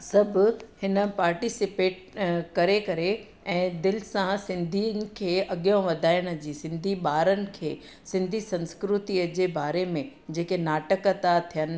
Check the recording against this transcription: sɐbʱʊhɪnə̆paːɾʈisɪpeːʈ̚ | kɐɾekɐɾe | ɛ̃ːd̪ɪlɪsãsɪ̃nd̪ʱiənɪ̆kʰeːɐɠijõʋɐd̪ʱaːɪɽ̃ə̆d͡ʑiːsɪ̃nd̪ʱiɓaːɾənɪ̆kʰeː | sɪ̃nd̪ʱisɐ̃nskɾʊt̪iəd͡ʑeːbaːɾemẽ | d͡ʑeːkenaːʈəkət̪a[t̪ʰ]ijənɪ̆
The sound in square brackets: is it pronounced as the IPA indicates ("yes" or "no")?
yes